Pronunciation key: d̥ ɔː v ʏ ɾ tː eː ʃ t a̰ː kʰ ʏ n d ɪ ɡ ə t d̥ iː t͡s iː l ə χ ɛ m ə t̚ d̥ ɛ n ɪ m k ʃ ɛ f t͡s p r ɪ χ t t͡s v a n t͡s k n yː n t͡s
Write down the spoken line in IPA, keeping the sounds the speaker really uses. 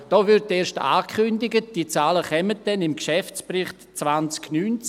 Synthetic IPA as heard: d̥ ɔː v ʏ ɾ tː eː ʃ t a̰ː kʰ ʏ n d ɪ ɡ ə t d̥ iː t͡s aː l ə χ ɛ m ə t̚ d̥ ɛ n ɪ m k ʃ ɛ f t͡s p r ɪ χ t t͡s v a n t͡s k n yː n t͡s